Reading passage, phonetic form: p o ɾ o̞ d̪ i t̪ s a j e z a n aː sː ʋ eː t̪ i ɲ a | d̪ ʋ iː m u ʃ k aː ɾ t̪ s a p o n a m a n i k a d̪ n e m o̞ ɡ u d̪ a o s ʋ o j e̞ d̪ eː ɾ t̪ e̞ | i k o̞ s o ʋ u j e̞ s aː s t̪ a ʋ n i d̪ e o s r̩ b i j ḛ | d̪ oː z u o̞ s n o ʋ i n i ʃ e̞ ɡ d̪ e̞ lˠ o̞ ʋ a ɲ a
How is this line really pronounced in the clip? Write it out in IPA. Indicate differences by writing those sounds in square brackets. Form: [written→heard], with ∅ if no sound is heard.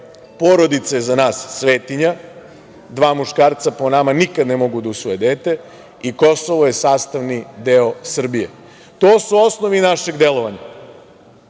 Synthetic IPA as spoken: p o ɾ o̞ d̪ i t̪ s a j e z a n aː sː ʋ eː t̪ i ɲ a | d̪ ʋ [iː→aː] m u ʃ k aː ɾ t̪ s a p o n a m a n i k a d̪ n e m o̞ ɡ u d̪ a [o→u] s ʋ o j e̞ d̪ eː [ɾ→∅] t̪ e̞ | i k o̞ s o ʋ [u→o] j e̞ s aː s t̪ a ʋ n i d̪ e o s r̩ b i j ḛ | [d̪→t̪] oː [z→s] u o̞ s n o ʋ i n [i→a] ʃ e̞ ɡ d̪ e̞ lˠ o̞ ʋ a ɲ a